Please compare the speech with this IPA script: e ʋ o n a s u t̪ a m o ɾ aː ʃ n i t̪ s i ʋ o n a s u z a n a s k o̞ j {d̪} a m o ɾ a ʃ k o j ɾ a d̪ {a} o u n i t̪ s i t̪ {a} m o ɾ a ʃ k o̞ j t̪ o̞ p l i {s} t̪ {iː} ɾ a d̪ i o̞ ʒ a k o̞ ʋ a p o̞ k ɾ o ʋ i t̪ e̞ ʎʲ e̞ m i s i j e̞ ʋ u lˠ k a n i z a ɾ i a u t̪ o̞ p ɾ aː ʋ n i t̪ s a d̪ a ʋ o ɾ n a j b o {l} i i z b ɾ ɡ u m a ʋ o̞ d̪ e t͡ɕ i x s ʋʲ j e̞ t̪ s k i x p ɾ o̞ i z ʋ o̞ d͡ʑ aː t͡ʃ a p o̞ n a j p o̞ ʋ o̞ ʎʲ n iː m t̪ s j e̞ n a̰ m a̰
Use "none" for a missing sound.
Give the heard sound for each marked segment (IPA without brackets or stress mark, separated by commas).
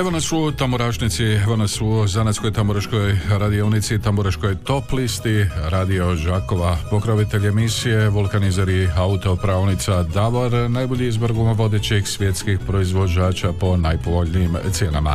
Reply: t̪, i, a, s, i, ʎ